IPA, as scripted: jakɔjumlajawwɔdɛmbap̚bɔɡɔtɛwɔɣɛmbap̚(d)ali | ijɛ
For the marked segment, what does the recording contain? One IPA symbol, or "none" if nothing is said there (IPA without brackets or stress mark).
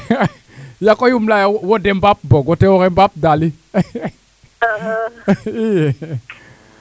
d